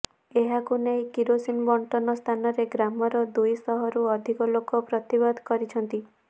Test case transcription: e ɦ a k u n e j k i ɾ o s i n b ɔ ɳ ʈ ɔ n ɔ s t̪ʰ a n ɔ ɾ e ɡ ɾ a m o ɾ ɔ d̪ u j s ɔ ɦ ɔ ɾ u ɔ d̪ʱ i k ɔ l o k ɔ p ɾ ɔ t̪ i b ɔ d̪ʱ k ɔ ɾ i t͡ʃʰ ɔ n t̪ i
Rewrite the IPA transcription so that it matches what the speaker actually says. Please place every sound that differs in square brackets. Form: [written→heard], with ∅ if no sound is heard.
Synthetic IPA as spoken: e ɦ a k u n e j k i ɾ o s i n b ɔ ɳ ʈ ɔ n ɔ s t̪ʰ a n ɔ ɾ e ɡ ɾ a m [o→ɔ] ɾ ɔ d̪ u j s ɔ ɦ ɔ ɾ u ɔ d̪ʱ i k ɔ l o k ɔ p ɾ ɔ t̪ i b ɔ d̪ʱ k ɔ ɾ i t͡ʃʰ ɔ n t̪ i